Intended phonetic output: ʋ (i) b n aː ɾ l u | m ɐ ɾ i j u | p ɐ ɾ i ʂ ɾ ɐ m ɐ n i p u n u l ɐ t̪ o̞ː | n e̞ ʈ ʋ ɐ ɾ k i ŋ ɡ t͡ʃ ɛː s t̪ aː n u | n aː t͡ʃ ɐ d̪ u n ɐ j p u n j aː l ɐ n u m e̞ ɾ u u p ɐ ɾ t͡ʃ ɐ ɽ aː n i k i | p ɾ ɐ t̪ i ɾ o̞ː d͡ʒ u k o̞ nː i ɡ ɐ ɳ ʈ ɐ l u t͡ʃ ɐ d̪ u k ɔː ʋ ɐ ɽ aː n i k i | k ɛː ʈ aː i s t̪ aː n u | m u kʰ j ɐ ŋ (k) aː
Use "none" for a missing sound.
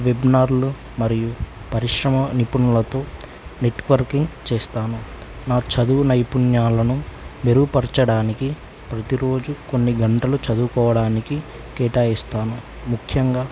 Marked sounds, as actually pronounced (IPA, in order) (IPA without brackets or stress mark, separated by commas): e, ɡ